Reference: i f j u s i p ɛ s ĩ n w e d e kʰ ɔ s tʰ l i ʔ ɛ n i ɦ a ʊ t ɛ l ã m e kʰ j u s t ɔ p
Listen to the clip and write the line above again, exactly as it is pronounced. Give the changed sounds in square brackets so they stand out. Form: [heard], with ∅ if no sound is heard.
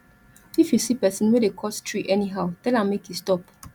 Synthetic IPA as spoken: i f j u s i p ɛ s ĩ n w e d e kʰ ɔ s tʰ [ɹ] i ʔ ɛ n i ɦ a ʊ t ɛ l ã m e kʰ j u s t ɔ p